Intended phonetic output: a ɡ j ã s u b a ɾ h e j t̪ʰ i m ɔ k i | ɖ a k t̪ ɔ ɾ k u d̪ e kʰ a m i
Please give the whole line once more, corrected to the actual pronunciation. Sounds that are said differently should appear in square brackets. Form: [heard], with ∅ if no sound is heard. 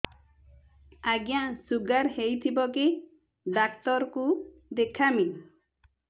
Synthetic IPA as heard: a ɡ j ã s u [ɡ] a ɾ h e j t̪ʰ i [b] ɔ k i | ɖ a k t̪ ɔ ɾ k u d̪ e kʰ a m i

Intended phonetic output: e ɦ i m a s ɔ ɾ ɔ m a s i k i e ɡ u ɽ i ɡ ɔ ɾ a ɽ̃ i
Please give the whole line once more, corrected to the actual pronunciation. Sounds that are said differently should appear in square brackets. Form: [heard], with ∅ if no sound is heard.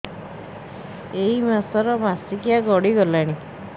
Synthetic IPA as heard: e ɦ i m a s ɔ ɾ ɔ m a s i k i [a] ɡ [ɔ] ɽ i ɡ ɔ [l] a ɽ̃ i

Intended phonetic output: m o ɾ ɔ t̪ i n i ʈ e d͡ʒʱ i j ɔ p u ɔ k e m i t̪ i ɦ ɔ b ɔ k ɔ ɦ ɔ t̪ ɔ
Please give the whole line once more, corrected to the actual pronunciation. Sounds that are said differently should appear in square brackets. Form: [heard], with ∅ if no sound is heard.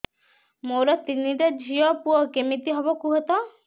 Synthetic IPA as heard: m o ɾ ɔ t̪ i n i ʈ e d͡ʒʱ i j ɔ p u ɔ k e m i t̪ i ɦ ɔ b ɔ k [u] ɦ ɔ t̪ ɔ

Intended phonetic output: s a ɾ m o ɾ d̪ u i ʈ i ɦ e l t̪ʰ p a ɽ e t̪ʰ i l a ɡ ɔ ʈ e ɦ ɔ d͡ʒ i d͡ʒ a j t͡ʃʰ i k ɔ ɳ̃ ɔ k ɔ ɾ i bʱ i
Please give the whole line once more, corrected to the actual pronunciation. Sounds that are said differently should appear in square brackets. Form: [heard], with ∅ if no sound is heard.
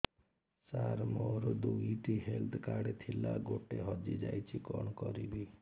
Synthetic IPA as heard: s a ɾ m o ɾ d̪ u i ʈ i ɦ e l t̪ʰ [k] a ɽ e t̪ʰ i l a ɡ [o] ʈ e ɦ ɔ d͡ʒ i d͡ʒ a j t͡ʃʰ i k ɔ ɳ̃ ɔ k ɔ ɾ i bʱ i

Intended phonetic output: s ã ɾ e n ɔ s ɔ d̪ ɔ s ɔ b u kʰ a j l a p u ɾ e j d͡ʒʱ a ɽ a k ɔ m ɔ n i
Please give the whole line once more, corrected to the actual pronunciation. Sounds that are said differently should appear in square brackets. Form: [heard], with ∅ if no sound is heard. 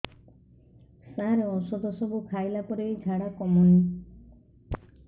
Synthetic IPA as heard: s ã ɾ e [∅] ɔ s ɔ d̪ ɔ s ɔ b u kʰ a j l a p [ɔ] ɾ e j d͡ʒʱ a ɽ a k ɔ m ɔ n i

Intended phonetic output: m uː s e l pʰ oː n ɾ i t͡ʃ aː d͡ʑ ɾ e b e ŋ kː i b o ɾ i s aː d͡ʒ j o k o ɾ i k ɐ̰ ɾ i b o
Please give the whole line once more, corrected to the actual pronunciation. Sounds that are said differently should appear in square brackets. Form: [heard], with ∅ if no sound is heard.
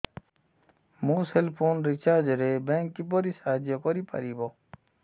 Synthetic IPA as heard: m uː s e l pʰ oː n ɾ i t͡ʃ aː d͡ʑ ɾ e b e ŋ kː i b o ɾ i s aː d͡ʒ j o k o ɾ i [p] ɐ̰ ɾ i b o

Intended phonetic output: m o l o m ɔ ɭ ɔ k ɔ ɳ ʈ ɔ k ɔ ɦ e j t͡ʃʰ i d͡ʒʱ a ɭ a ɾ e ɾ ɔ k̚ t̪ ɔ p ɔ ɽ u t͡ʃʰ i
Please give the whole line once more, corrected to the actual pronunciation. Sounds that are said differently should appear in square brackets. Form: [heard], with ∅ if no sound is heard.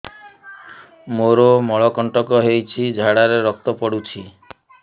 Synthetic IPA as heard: m o [ɾ] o m ɔ ɭ ɔ k ɔ ɳ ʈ ɔ k ɔ ɦ e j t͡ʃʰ i d͡ʒʱ a [ɽ] a ɾ e ɾ ɔ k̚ t̪ ɔ p ɔ ɽ u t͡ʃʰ i

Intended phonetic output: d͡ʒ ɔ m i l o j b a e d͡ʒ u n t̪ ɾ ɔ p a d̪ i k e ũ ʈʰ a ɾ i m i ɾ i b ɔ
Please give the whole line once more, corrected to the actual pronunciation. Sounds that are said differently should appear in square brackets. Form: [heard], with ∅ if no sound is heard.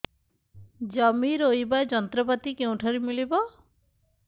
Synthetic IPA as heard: d͡ʒ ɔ m i [ɾ] o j b a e d͡ʒ [ɔ] n t̪ ɾ ɔ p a [t̪] i k e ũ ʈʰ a ɾ i m i [l] i b ɔ

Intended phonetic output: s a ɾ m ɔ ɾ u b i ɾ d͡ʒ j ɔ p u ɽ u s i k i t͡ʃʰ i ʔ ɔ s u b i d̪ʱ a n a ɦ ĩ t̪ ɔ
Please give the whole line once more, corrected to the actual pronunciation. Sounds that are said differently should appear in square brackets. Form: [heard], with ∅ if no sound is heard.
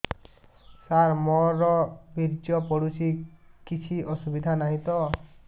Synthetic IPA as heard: s a ɾ m ɔ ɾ [ɔ] b i ɾ d͡ʒ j ɔ p [ɔ] ɽ u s i k i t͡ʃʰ i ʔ ɔ s u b i d̪ʱ a n a ɦ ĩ t̪ ɔ

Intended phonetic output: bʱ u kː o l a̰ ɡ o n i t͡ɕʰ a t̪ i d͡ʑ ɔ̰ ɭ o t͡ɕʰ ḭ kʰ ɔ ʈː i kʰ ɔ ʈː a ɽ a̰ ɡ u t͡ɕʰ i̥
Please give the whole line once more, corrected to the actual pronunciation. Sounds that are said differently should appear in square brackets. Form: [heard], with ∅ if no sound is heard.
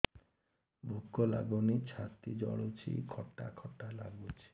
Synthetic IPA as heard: bʱ u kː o l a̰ ɡ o n i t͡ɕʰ a t̪ i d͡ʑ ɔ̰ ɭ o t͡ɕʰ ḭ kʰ ɔ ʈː [a] kʰ ɔ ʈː a [l] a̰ ɡ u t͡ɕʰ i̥

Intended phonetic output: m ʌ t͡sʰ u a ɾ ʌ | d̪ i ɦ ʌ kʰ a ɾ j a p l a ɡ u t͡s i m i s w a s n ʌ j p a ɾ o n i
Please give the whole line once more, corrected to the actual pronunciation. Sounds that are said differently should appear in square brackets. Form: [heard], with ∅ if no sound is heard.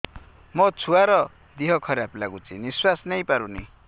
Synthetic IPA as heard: m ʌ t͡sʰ u a ɾ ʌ | d̪ i ɦ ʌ kʰ [ʌ] ɾ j a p l a ɡ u t͡s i [n] i s w a s n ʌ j p a ɾ [u] n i

